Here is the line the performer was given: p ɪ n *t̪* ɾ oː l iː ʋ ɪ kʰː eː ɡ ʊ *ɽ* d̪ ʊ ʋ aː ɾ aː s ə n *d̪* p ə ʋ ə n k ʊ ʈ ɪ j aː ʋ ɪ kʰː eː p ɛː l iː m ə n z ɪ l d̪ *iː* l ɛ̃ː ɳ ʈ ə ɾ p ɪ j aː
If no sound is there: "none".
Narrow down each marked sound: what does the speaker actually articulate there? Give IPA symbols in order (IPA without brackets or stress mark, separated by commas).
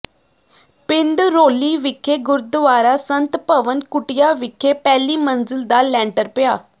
d̪, ɾ, t̪, aː